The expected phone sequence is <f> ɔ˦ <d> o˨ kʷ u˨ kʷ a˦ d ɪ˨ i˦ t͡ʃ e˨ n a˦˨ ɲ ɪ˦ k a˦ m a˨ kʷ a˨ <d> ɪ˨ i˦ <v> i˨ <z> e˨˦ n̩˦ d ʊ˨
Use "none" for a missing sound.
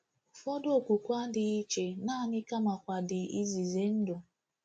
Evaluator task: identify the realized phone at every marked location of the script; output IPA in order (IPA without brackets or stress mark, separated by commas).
f, d, d, z, z